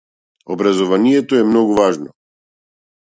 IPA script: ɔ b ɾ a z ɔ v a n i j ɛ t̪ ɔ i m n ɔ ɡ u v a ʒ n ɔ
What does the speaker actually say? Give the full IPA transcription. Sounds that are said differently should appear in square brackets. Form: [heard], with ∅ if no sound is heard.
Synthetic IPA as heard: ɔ b ɾ a z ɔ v a n i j ɛ t̪ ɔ [ɛ] m n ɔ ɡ u v a ʒ n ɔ